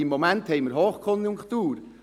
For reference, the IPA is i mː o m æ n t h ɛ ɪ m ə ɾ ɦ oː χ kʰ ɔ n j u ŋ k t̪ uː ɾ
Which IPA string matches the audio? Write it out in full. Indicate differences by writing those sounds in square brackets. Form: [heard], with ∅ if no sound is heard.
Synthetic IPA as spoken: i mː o m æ n t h ɛ ɪ m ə ɾ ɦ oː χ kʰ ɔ n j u ŋ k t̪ uː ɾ